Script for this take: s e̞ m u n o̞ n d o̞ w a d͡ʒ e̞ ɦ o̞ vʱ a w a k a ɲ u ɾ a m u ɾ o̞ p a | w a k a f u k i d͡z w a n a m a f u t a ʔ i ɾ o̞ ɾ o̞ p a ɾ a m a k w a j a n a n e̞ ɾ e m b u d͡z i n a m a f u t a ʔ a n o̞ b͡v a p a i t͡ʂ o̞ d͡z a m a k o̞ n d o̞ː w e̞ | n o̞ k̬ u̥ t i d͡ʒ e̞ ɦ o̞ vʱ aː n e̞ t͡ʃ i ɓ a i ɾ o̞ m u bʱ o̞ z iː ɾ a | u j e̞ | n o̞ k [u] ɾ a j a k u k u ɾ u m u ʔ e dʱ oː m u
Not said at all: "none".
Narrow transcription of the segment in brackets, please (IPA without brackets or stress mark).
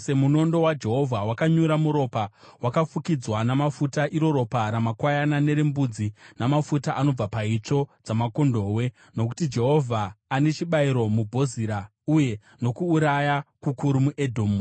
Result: uː